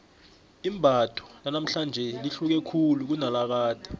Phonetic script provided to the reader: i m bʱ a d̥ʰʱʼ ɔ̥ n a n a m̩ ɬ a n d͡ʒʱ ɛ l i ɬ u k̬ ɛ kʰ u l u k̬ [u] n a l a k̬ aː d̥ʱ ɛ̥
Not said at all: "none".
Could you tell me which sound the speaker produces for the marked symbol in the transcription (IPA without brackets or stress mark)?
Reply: u